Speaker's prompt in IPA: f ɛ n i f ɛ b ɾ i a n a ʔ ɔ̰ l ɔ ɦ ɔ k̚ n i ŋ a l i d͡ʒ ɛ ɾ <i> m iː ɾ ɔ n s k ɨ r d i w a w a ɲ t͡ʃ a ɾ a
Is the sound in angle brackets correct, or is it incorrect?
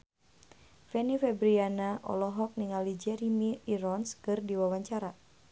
correct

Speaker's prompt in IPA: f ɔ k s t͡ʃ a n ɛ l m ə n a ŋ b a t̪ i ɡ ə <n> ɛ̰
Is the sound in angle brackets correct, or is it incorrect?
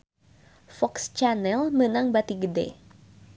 incorrect: d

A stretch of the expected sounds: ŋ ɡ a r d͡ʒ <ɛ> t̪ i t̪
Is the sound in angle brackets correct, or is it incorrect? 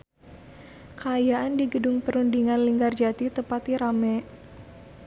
incorrect: a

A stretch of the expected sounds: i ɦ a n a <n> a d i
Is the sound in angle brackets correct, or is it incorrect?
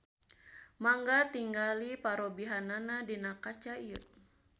correct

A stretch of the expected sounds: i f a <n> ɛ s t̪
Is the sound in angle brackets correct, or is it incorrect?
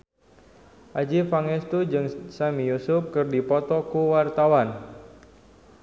incorrect: ŋ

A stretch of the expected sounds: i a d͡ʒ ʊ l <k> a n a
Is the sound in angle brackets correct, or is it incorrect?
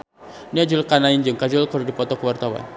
correct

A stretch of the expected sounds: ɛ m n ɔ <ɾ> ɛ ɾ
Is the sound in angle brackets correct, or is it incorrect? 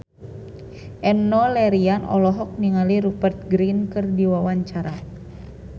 incorrect: l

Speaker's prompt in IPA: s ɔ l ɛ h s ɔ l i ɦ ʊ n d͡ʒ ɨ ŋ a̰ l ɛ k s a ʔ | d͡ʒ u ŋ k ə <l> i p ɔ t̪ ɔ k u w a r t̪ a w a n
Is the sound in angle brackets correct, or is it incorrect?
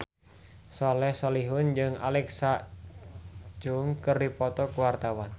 incorrect: r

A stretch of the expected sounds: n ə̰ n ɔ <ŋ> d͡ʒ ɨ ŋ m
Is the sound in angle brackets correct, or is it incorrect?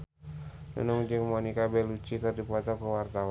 correct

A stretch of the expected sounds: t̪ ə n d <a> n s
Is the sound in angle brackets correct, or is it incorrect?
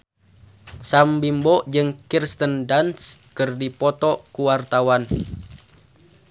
correct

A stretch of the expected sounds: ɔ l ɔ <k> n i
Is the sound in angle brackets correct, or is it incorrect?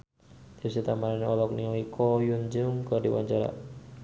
correct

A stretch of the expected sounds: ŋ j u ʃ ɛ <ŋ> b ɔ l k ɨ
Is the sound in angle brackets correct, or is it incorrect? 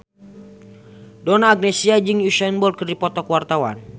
incorrect: n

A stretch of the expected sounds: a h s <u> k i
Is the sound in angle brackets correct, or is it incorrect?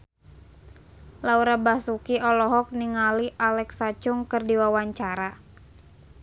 correct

